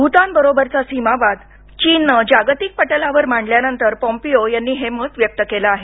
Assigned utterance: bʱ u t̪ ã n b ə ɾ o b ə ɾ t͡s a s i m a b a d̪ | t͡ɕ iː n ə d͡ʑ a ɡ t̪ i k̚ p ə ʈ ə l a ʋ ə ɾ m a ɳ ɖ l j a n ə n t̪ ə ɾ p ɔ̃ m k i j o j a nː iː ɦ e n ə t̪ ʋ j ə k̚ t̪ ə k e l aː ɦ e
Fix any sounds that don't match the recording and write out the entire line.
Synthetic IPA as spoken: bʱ u t̪ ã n b ə ɾ o b ə ɾ t͡s a s i m a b a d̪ | t͡ɕ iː n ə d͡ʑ a ɡ t̪ i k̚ p ə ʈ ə l a ʋ ə ɾ m a ɳ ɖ l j a n ə n t̪ ə ɾ p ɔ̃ m p i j o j a nː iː ɦ e m ə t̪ ʋ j ə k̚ t̪ ə k e l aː ɦ e